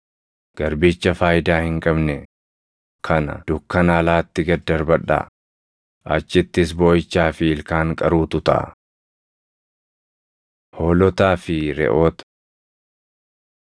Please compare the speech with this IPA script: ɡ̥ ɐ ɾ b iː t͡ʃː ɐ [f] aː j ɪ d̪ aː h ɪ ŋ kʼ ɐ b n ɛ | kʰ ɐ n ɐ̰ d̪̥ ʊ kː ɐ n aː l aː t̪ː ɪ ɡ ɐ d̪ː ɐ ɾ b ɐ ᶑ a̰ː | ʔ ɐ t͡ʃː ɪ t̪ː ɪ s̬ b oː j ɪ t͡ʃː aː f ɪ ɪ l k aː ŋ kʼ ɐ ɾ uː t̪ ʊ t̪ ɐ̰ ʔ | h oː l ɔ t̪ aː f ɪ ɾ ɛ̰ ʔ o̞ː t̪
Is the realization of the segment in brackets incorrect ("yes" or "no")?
no